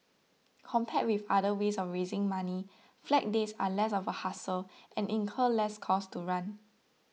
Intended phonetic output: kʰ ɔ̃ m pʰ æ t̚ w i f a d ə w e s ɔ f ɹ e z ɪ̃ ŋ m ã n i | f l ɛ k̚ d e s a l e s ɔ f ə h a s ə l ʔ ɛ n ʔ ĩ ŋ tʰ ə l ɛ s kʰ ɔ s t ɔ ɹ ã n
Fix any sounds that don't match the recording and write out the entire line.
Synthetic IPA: kʰ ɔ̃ m pʰ ɛ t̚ w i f a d ə w e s ɔ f ɹ e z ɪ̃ ŋ m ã n i | f l ɛ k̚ d e s a l ɛ s ɔ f ə h a s ə l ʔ ɛ̃ n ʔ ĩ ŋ kʰ ə l ɛ s kʰ ɔ s t u ɹ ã n